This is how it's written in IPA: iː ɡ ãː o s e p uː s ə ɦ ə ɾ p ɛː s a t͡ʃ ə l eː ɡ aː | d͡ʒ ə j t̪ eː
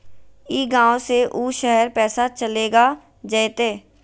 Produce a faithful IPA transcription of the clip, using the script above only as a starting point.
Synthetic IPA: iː ɡ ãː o s e ʔ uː ʃ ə ɦ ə ɾ p ɛː s a t͡ʃ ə l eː ɡ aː | d͡ʒ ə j t̪ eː